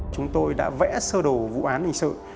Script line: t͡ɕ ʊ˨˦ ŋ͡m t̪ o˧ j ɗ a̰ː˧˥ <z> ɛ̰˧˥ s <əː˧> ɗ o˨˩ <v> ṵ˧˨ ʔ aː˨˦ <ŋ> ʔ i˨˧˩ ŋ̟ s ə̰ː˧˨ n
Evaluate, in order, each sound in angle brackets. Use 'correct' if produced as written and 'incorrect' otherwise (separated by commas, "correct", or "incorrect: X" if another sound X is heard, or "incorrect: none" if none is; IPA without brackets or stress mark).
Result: incorrect: v, correct, correct, incorrect: n